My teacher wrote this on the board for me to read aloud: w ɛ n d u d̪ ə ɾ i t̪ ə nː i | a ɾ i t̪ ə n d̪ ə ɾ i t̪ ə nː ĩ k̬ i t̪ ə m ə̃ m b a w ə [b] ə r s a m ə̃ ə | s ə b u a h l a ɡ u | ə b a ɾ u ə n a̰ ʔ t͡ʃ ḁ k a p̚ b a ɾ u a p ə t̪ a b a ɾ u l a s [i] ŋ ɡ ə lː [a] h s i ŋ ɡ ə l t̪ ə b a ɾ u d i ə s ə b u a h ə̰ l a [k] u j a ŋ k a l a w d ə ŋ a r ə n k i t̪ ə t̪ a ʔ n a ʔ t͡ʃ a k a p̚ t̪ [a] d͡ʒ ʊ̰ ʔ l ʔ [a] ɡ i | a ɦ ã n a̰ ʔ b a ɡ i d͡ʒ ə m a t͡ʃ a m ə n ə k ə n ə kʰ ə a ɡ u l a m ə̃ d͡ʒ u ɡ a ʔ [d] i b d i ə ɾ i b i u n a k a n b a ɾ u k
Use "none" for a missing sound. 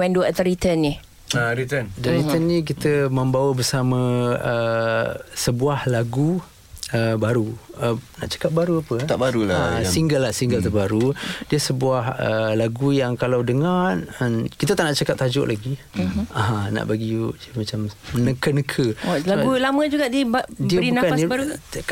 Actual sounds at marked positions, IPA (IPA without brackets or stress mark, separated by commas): b, i, a, ɡ, a, a, d